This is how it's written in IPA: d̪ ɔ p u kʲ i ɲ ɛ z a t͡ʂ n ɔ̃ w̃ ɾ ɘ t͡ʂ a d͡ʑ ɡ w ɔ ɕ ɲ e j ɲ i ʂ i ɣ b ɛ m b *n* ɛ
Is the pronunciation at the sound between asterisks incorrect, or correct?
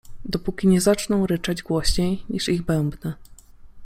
correct